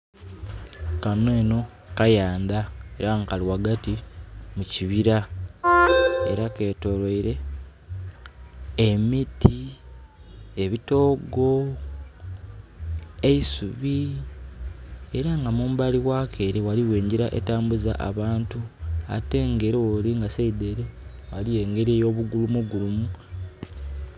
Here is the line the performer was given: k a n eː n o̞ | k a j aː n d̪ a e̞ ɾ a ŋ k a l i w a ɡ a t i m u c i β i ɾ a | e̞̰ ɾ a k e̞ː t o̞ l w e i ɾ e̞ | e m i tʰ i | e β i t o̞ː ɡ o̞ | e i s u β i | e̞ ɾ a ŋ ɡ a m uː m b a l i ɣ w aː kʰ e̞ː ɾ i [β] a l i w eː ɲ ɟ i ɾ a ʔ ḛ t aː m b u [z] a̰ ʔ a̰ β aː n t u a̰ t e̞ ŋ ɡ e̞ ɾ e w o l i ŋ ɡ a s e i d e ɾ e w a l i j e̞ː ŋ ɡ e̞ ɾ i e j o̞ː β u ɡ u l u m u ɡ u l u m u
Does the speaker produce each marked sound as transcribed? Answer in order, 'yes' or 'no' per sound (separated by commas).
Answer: no, yes